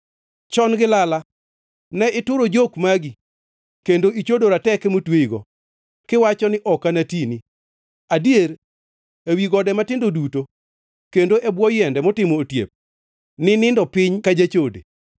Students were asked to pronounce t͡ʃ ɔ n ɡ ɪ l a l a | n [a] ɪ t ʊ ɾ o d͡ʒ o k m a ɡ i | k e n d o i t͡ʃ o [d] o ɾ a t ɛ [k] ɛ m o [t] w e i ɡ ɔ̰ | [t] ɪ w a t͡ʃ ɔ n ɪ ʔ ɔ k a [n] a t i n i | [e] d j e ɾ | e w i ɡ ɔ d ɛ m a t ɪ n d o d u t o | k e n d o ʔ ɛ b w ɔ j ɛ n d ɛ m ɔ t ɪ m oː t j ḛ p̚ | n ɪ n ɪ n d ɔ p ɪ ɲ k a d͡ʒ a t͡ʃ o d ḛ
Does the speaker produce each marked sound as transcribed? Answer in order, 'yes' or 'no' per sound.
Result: no, yes, yes, yes, no, yes, no

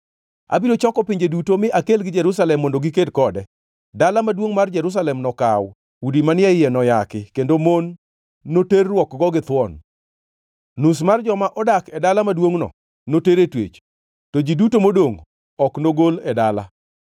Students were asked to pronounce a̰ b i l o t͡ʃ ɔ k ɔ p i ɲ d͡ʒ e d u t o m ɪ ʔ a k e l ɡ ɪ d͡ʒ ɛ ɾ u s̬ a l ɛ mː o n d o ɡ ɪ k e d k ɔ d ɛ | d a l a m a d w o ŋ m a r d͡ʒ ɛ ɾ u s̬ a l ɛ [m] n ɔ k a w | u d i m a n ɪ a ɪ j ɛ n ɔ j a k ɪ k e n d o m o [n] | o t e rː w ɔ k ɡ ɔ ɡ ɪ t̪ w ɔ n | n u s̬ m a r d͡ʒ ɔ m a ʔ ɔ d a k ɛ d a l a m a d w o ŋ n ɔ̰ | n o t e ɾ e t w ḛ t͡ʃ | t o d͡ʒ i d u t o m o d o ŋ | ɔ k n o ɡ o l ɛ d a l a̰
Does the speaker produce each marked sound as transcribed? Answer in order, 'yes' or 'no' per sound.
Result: yes, no

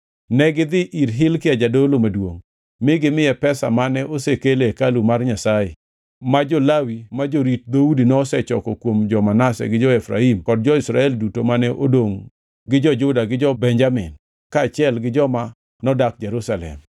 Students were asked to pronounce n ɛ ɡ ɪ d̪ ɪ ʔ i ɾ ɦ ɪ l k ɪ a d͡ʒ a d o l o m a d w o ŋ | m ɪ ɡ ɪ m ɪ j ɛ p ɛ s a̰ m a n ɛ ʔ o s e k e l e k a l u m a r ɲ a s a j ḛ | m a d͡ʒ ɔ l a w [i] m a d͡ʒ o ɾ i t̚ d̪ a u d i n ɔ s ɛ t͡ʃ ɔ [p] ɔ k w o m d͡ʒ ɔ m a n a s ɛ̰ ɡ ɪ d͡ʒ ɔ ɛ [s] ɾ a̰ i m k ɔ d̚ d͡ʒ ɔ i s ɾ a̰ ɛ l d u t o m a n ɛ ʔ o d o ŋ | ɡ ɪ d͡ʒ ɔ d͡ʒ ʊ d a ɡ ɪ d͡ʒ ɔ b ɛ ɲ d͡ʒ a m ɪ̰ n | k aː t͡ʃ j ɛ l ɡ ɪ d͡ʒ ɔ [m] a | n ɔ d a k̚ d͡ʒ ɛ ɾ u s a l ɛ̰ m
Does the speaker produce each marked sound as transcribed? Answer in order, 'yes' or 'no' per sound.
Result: yes, no, no, yes

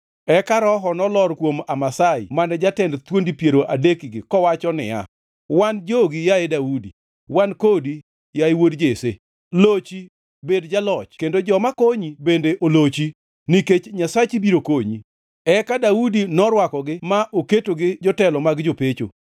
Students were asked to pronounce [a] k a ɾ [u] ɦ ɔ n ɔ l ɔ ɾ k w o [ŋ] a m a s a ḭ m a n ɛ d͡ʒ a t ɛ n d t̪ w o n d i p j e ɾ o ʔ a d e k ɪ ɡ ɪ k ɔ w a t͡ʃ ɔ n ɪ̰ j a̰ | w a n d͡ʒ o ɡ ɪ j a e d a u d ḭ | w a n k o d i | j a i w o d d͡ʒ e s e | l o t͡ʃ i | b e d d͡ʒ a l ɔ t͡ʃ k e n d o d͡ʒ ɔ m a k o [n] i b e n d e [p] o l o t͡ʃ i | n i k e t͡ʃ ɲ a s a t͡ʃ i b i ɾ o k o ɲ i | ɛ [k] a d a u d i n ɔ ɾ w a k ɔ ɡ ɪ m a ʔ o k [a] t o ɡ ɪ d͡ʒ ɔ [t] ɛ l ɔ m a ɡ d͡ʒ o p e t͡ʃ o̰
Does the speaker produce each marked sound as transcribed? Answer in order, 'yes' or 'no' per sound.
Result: no, no, no, no, no, yes, no, yes

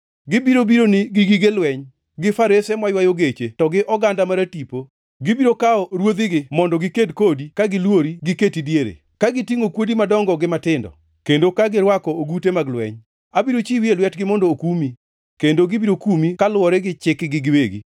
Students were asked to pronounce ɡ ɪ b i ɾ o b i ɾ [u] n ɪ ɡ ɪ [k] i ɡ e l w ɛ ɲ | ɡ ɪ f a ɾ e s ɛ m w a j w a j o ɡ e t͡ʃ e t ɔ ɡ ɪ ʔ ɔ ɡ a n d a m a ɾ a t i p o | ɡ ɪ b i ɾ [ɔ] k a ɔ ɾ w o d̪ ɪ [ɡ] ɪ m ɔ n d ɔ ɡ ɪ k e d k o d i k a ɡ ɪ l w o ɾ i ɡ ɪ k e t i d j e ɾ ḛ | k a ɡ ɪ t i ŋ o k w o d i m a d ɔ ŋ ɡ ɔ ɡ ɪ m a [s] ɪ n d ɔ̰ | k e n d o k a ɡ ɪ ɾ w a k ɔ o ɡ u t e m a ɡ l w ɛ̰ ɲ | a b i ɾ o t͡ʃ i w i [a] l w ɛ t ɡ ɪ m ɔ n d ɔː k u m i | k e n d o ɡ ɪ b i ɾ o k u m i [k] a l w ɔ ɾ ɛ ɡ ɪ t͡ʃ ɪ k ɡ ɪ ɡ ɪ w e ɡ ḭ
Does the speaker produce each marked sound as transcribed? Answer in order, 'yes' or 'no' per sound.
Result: no, no, no, yes, no, no, yes

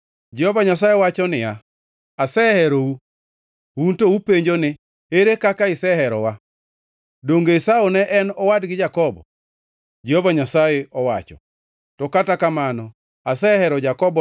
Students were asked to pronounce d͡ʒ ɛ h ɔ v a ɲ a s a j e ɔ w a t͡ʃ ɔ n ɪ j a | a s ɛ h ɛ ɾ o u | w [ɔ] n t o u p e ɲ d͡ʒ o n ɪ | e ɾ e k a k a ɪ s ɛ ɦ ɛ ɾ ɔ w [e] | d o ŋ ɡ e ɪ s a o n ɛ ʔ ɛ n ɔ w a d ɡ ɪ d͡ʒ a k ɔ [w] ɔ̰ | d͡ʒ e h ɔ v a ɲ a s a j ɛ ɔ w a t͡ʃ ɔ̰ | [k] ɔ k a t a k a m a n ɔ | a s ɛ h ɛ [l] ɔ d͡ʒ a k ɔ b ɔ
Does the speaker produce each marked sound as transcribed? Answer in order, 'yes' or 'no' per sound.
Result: no, no, no, no, no

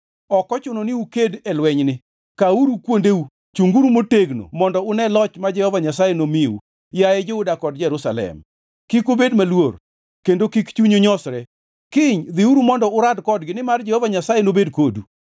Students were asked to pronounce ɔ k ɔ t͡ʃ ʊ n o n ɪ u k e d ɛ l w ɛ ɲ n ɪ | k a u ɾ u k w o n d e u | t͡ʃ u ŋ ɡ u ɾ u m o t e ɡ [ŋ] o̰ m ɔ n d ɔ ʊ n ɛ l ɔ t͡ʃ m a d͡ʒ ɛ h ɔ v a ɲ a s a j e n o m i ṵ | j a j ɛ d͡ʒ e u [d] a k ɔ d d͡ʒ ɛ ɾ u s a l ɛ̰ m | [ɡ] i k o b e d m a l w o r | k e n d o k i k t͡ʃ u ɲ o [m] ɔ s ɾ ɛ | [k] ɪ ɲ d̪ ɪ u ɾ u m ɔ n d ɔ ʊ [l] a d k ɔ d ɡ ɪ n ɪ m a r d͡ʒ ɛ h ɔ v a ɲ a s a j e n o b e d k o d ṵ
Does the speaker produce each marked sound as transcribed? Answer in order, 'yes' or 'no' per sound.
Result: no, yes, no, no, yes, no

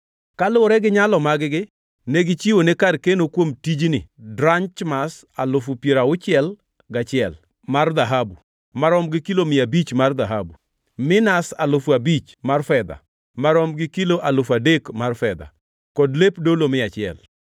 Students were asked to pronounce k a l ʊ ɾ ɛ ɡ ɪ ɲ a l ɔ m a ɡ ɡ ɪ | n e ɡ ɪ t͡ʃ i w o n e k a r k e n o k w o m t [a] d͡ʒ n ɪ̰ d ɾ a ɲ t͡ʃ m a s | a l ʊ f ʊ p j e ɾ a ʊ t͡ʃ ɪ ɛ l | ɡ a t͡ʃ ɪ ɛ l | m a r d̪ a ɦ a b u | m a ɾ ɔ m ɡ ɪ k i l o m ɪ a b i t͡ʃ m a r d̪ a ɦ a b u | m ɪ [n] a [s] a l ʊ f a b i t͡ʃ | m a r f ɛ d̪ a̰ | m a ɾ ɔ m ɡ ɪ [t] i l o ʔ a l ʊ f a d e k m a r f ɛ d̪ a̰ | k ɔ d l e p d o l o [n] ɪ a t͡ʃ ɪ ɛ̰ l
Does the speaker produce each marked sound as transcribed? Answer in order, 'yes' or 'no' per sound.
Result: no, yes, yes, no, no

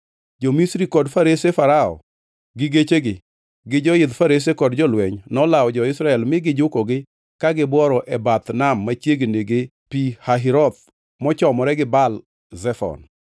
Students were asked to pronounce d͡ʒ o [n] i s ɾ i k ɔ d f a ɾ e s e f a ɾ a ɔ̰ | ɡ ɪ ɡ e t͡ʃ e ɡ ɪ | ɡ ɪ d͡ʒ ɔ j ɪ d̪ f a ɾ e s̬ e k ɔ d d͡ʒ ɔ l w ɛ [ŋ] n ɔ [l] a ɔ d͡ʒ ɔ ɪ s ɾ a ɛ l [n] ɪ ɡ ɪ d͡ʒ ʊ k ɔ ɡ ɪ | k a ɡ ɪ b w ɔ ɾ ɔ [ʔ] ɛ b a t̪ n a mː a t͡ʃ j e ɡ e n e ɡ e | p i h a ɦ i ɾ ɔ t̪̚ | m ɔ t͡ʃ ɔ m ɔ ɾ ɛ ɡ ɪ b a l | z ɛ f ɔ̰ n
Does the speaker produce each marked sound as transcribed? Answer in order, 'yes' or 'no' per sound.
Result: no, no, yes, no, yes

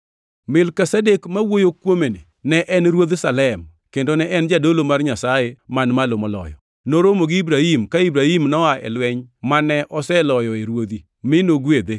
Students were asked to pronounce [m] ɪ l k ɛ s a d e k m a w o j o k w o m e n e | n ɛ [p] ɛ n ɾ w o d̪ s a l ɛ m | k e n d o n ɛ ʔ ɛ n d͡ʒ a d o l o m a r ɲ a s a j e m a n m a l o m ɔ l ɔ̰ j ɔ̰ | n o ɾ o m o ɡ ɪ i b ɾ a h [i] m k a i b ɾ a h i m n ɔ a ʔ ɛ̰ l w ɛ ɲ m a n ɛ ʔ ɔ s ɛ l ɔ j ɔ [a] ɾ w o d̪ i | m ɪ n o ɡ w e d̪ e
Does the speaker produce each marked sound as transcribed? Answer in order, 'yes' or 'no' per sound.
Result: yes, no, yes, no

